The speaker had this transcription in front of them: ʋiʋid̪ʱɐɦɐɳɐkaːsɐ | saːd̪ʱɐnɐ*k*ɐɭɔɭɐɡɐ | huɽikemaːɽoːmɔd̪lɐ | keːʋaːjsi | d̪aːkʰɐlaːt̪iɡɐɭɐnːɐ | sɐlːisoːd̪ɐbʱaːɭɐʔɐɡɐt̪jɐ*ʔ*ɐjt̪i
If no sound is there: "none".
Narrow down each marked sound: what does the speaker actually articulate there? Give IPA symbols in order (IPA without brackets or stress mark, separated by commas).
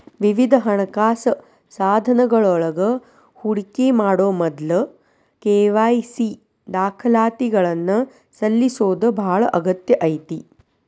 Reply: ɡ, ʔ